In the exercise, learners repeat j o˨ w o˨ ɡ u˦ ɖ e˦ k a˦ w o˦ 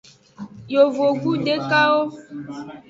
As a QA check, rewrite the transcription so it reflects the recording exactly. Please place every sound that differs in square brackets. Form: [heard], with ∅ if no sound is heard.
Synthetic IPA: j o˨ [v] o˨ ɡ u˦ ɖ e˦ k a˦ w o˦